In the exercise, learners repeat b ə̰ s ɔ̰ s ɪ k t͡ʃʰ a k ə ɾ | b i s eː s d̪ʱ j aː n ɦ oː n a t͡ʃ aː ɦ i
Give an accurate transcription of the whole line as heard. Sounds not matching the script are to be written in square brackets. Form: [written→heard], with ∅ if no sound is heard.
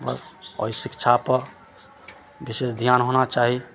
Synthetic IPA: b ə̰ s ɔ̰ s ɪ k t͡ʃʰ a [k→p] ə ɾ | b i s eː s d̪ʱ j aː n ɦ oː n a t͡ʃ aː ɦ i

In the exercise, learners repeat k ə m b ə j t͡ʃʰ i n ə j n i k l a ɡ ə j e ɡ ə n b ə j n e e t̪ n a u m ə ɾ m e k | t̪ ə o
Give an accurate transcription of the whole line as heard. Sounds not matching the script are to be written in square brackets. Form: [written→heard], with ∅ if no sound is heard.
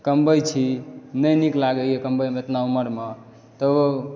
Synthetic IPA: k ə m b ə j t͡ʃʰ i n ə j n i k l a ɡ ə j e [ɡ→k] ə [n→m] b ə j [n→m] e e t̪ n a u m ə ɾ m e [k→∅] | t̪ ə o

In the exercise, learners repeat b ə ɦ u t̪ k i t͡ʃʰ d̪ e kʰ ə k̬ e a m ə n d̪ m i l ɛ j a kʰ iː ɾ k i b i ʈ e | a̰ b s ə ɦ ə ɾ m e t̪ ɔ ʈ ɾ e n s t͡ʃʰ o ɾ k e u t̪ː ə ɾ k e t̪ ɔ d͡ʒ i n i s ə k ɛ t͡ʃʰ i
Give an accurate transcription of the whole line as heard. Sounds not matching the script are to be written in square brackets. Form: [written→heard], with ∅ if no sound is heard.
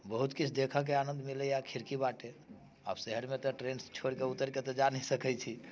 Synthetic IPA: b ə ɦ u t̪ k i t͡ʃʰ d̪ e kʰ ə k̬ e a [m→n] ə n d̪ m i l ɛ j a kʰ [iː→i] ɾ k i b [i→a] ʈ e | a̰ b s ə ɦ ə ɾ m e t̪ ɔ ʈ ɾ e n s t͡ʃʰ o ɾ k e u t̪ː ə ɾ k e t̪ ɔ d͡ʒ [i→a] n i s ə k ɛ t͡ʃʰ i

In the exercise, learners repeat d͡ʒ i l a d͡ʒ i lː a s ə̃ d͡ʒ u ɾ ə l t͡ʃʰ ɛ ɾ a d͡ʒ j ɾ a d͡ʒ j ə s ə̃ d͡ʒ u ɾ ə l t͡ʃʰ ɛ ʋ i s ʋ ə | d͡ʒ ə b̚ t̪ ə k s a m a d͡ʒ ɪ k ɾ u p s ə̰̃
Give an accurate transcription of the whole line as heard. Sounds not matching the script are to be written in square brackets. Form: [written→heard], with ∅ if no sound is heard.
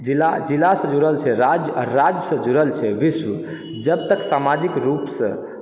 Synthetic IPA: d͡ʒ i l a d͡ʒ i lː a s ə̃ d͡ʒ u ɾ ə l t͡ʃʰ ɛ ɾ a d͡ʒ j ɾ a d͡ʒ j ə s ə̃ d͡ʒ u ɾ ə l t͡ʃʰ ɛ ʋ i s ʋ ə | d͡ʒ ə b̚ t̪ ə k s a m a d͡ʒ [ɪ→i] k ɾ u p s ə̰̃

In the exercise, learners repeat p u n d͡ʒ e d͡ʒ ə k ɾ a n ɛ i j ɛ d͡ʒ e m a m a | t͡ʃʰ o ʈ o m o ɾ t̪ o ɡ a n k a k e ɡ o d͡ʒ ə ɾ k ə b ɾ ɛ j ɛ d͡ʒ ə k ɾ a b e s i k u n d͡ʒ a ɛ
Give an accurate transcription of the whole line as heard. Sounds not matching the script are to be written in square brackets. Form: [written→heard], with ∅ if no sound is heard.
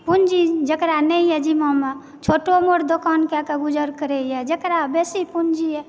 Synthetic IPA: p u n d͡ʒ [e→i] d͡ʒ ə k ɾ a n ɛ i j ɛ d͡ʒ [e→i] m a m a | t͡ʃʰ o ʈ o m o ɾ [t̪→d̪] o [ɡ→k] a n k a k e ɡ [o→u] d͡ʒ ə ɾ k ə [b→∅] ɾ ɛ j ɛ d͡ʒ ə k ɾ a b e s i [k→p] u n d͡ʒ [a→i] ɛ

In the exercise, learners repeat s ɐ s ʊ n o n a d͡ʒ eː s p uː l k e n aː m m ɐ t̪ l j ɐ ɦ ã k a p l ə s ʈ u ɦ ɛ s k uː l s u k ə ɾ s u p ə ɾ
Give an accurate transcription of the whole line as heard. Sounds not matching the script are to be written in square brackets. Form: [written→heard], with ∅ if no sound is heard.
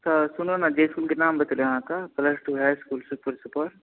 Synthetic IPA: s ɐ s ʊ n o n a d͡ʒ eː s [p→k] uː l k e n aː m [m→b] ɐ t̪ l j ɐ ɦ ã k a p l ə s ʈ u ɦ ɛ s k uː l s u [k→p] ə ɾ s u p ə ɾ

